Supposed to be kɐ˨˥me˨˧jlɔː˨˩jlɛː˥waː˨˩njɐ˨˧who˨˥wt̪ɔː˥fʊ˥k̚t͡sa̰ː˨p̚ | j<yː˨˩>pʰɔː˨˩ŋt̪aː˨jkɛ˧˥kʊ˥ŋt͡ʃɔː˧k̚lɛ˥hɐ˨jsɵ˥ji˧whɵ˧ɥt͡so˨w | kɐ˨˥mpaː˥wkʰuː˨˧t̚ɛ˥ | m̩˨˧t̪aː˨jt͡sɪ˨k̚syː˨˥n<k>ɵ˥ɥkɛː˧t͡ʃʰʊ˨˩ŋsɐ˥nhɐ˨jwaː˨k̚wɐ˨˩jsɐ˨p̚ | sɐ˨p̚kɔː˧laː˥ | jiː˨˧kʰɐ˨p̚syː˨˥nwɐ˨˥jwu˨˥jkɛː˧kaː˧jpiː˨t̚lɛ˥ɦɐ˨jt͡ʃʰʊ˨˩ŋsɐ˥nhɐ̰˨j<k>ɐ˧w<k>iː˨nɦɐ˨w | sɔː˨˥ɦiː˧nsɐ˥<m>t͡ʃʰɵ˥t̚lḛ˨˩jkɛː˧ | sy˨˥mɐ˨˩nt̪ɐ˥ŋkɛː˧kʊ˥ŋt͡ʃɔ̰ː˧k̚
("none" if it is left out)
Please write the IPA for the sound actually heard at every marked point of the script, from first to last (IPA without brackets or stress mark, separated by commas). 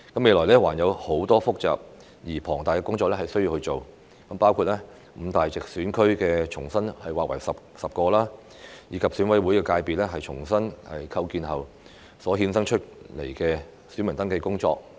iː˨˩, kʰ, kʰ, k, ŋ